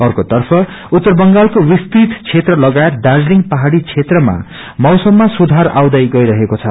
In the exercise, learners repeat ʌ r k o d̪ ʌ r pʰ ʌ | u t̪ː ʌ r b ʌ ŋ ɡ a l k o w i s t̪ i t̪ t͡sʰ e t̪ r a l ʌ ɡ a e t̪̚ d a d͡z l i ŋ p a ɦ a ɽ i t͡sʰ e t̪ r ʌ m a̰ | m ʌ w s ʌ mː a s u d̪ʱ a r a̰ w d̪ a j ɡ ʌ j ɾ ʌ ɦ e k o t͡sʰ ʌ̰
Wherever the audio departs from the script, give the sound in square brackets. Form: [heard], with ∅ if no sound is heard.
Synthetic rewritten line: ʌ r k o [t̪] ʌ r pʰ ʌ | u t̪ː ʌ r b ʌ ŋ ɡ a l k o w i s t̪ i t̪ t͡sʰ e t̪ r [ʌ] l ʌ ɡ a e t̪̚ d a d͡z l i ŋ p a ɦ a ɽ i t͡sʰ e t̪ r ʌ m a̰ | m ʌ w s ʌ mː a s u d̪ʱ a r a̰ w d̪ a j ɡ ʌ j ɾ ʌ ɦ e k o t͡sʰ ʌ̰